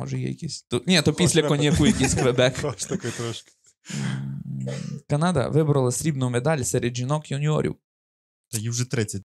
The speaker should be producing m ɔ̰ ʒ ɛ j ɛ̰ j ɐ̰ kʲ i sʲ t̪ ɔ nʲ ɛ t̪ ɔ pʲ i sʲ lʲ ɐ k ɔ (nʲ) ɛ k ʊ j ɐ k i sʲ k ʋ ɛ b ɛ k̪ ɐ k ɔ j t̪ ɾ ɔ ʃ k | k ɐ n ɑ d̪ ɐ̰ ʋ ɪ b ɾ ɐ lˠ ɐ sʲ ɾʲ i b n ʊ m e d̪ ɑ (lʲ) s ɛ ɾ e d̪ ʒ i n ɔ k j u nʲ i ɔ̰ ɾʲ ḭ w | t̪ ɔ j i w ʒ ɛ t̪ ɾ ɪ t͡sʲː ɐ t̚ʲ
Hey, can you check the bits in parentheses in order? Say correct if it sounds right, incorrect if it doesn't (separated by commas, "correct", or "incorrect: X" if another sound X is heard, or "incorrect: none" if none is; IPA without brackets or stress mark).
correct, correct